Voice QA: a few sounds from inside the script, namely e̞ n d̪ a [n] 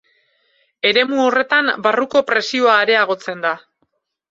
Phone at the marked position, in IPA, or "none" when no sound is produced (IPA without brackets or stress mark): none